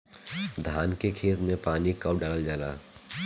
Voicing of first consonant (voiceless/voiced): voiced